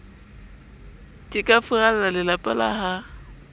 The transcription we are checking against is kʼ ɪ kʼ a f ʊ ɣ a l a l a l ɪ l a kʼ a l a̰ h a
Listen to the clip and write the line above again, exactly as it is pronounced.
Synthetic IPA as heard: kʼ ɪ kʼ a f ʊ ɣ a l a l a l ɪ l a pʼ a l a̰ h a